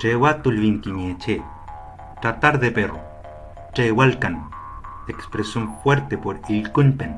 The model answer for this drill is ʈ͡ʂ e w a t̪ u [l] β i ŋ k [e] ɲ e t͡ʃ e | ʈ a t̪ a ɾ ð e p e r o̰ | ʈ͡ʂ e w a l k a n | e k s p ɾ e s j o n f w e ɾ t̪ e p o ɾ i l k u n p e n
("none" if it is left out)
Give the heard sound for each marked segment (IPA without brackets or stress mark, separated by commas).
l, i